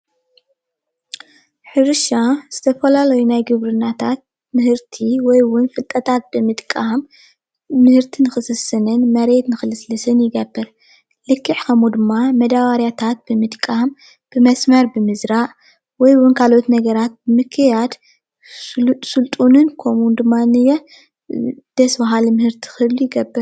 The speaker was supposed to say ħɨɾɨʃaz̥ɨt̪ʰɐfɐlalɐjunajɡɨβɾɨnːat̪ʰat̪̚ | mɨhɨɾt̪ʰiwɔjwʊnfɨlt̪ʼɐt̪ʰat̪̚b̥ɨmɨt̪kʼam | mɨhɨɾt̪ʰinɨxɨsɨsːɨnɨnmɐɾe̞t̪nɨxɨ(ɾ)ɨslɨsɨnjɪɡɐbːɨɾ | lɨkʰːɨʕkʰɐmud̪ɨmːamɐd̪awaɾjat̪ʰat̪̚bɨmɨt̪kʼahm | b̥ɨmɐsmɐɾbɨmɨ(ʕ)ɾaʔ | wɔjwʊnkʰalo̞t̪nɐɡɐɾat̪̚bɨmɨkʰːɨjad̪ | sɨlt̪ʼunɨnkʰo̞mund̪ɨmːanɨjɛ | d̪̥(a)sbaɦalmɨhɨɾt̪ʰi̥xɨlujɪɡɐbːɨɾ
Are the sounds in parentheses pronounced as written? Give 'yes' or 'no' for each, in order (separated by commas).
no, no, no